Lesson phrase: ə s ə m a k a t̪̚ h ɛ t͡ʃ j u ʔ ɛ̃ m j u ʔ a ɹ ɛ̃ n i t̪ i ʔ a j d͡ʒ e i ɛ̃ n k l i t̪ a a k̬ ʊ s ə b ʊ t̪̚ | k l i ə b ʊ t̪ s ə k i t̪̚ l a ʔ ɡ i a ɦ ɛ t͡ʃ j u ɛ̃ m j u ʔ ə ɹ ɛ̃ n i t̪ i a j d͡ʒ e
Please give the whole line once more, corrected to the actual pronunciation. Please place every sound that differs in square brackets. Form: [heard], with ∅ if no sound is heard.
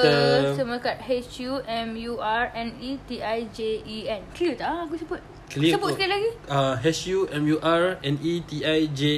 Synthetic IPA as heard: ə s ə m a k a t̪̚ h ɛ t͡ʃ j u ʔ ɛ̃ m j u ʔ a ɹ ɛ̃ n i t̪ i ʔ a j d͡ʒ e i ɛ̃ n k l i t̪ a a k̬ [u] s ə b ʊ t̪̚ | k l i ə b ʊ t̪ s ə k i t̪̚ l a [∅] ɡ i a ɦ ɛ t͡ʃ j u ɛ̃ m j u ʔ [a] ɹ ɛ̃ n i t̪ i a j d͡ʒ e